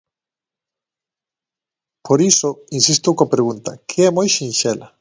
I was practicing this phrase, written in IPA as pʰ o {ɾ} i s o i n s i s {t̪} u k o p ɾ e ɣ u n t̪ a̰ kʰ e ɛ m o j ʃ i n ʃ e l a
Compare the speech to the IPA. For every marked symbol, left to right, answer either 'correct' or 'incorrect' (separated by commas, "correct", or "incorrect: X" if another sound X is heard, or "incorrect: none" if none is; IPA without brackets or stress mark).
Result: correct, correct